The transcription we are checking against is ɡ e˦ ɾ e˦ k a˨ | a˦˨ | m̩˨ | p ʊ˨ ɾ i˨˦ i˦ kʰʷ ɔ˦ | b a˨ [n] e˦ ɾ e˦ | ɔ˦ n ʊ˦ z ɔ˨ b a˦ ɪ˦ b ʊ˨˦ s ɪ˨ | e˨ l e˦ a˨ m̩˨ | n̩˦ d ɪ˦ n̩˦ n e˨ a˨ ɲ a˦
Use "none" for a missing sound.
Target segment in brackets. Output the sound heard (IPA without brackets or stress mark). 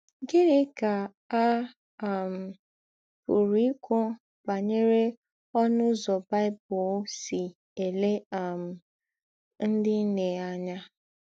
ɲ